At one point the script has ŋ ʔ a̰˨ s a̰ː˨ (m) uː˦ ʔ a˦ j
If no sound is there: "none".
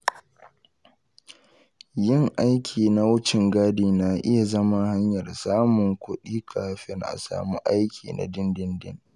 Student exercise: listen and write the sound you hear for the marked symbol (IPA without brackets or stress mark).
m